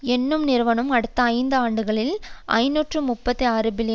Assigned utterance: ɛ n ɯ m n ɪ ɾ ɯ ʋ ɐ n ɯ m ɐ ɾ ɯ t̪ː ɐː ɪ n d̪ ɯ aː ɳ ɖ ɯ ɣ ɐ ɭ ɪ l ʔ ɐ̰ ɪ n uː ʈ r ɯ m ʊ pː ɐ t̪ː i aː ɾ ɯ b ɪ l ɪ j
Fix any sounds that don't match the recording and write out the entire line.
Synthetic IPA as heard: ɛ nː ɯ m n ɪ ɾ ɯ ʋ ɐ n ɯ m ɐ ɽ ɯ t̪ː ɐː ɪ n d̪ ɯ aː ɳ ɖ ɯ ɣ ɐ ɭ ɪ l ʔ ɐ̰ ɪ n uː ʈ r ɯ m ʊ pː ɐ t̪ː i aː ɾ ɯ b ɪ l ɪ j